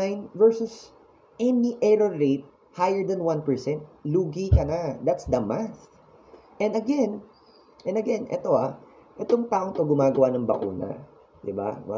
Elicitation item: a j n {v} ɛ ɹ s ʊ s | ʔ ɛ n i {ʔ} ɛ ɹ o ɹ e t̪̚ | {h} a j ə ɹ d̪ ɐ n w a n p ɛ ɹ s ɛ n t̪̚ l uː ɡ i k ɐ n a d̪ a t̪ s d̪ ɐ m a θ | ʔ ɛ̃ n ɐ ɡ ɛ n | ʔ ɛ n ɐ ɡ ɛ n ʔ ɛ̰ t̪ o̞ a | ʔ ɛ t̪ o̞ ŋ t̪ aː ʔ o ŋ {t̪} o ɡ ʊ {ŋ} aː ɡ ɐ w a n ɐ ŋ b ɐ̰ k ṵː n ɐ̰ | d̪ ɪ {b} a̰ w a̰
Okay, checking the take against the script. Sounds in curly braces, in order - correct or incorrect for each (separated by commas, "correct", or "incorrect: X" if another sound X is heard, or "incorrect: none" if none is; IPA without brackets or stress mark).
correct, correct, correct, correct, incorrect: m, correct